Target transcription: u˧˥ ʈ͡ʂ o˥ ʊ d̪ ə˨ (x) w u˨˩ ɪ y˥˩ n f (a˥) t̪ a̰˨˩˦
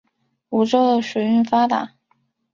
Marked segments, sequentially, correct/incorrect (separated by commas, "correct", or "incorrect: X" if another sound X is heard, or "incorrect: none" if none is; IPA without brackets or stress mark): incorrect: ʂ, correct